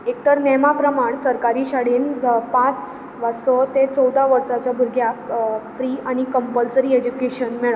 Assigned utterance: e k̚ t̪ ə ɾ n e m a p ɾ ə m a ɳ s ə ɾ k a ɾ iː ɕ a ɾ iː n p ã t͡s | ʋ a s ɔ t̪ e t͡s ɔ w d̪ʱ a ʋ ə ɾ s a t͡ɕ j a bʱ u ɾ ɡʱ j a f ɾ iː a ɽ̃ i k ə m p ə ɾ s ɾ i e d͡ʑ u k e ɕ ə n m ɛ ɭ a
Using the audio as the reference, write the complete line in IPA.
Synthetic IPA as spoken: e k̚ t̪ ə ɾ n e m a p ɾ ə m a ɳ s ə ɾ k a ɾ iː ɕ a ɽ iː n p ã t͡s | ʋ a s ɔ t̪ e t͡s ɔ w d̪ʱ a ʋ ə ɾ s a t͡ɕ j a bʱ u ɾ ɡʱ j a f ɾ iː a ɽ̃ i k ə m p ə l s ɾ i e d͡ʑ u k e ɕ ə n m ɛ ɭ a